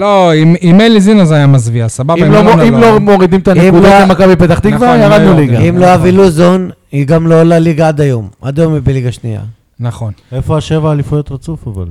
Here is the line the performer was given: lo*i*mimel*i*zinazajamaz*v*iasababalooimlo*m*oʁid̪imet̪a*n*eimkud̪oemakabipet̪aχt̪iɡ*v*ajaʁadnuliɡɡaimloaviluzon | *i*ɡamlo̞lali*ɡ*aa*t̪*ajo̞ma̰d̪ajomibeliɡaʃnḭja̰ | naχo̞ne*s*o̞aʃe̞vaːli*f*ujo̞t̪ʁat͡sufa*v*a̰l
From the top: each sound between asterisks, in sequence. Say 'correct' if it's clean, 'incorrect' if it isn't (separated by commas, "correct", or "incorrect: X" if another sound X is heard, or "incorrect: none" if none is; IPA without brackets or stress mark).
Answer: correct, correct, correct, correct, correct, correct, correct, correct, incorrect: d̪, incorrect: f, correct, correct